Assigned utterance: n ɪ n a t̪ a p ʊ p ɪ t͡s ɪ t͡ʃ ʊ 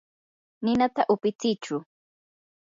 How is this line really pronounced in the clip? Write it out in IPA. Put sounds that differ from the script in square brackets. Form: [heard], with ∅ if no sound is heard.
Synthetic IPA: n ɪ n a t̪ a [ʔ] ʊ p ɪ t͡s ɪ t͡ʃ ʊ